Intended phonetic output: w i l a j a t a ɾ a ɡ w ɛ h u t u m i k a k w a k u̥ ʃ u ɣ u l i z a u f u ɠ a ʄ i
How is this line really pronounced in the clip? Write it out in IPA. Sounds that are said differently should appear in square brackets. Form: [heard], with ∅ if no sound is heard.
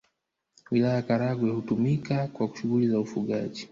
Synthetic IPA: w i l a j a [k] a ɾ a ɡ w ɛ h u t u m i k a k w a k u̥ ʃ u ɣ u l i z a u f u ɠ a ʄ i